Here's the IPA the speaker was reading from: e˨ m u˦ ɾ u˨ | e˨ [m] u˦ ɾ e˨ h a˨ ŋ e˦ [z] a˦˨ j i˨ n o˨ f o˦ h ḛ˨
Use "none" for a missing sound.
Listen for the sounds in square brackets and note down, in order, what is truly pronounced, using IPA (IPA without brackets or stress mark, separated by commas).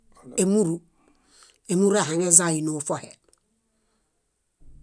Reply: m, z